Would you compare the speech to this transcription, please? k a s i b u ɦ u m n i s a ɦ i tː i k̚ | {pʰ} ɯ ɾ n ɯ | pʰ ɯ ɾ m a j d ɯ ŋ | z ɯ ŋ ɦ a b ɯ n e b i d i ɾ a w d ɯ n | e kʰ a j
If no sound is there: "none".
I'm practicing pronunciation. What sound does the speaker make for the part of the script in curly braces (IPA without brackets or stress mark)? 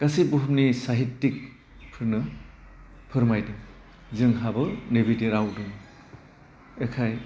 pʰ